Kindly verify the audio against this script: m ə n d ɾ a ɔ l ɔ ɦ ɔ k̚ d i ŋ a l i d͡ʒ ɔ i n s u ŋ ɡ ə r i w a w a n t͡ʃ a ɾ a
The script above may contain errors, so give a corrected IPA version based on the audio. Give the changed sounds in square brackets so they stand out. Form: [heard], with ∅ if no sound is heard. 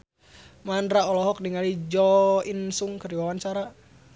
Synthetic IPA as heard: m [a] n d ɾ a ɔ l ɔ ɦ ɔ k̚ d i ŋ a l i d͡ʒ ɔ i n s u ŋ [k] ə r i w a w a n t͡ʃ a ɾ a